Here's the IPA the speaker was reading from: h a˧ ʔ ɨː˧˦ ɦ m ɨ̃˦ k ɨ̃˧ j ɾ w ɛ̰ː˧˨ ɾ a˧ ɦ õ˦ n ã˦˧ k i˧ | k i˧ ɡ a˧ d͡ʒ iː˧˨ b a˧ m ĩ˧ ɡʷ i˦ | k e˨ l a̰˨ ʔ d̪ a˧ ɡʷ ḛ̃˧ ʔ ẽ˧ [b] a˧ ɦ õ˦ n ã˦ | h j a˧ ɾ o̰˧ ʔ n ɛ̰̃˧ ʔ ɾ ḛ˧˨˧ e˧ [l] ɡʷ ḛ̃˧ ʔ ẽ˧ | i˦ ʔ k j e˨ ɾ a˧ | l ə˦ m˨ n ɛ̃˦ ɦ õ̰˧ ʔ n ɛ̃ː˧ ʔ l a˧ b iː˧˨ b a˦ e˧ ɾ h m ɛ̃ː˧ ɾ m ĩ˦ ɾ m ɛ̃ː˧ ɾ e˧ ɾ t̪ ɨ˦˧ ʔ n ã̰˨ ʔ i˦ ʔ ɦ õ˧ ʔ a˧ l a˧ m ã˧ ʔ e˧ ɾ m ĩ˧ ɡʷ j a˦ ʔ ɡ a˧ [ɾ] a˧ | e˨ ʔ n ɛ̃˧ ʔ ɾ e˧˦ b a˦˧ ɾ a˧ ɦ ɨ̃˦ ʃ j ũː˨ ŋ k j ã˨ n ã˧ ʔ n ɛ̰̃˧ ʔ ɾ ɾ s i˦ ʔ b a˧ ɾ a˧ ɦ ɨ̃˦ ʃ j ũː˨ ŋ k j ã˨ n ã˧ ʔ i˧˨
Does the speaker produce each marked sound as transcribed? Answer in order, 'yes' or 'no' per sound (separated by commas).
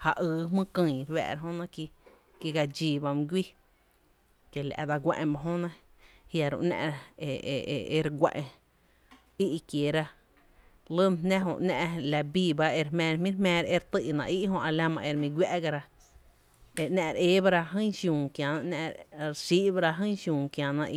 yes, no, yes